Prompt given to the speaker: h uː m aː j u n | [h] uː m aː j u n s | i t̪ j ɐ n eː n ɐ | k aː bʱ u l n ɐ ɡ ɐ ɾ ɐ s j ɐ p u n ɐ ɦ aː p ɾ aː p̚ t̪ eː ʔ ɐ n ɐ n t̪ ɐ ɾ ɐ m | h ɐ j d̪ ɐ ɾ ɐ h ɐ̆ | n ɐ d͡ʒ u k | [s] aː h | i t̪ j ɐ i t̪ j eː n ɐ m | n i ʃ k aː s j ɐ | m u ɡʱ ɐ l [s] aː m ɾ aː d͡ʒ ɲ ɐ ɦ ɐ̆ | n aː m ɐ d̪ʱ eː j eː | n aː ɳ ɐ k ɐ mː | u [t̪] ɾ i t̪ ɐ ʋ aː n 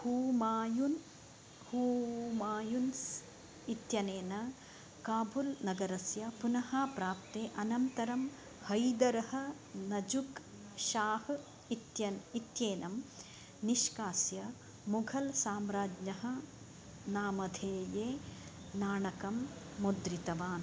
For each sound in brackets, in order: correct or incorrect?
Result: correct, incorrect: ʃ, correct, incorrect: d̪

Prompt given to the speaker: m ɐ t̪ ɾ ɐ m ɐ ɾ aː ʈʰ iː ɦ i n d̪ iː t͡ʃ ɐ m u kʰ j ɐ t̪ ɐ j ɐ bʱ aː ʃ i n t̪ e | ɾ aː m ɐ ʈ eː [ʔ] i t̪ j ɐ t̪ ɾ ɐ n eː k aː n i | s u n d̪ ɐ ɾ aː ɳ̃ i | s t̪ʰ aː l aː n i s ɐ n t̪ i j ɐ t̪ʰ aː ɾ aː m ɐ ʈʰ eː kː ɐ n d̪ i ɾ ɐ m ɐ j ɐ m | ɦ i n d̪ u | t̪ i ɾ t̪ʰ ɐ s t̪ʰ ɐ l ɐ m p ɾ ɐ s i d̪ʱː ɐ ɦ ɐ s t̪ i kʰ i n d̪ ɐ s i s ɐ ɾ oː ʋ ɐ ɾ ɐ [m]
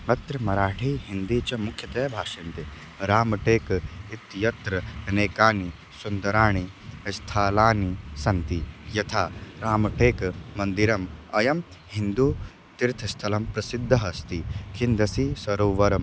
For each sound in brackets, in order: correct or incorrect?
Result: incorrect: k, correct

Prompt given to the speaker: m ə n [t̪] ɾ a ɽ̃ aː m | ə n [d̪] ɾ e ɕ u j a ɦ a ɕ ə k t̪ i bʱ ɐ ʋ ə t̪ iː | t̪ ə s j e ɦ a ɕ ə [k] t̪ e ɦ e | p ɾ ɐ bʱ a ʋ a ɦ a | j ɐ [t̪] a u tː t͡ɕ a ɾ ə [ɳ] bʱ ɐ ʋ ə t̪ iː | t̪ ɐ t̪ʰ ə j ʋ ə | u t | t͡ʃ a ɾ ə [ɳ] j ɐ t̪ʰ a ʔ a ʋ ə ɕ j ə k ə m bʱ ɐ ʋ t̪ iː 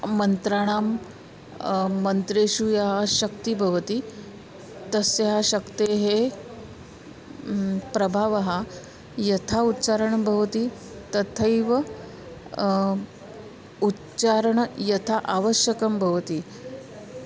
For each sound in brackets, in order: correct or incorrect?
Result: correct, incorrect: t̪, correct, incorrect: t̪ʰ, correct, correct

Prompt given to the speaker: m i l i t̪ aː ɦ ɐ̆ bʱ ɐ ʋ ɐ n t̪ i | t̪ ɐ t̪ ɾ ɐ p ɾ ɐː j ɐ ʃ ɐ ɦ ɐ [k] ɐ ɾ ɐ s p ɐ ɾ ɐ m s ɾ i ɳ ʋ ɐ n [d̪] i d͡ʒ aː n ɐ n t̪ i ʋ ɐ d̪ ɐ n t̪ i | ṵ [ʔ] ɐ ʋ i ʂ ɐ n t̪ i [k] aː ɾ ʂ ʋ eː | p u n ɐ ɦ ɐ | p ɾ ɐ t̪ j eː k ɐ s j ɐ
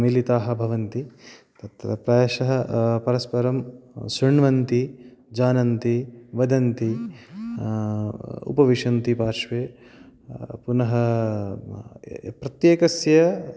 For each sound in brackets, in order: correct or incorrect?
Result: incorrect: p, incorrect: t̪, incorrect: p, incorrect: p

